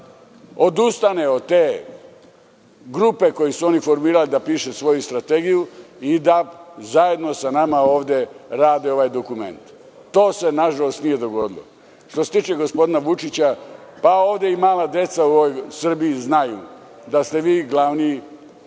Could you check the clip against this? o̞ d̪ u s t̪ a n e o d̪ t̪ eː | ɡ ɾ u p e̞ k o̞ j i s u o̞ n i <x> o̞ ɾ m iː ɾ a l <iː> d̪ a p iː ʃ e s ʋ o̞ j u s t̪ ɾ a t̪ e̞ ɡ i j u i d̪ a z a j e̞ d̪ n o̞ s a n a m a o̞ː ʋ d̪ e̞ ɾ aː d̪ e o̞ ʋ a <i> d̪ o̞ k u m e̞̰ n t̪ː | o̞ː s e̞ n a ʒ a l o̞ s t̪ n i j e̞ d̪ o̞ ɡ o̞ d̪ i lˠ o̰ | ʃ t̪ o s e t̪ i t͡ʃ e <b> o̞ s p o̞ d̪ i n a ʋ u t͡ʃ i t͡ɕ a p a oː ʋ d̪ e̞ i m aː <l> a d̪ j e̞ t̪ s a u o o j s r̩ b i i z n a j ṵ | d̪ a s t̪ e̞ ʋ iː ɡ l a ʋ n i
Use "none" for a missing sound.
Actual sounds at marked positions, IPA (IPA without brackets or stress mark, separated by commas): f, i, j, ɡ, l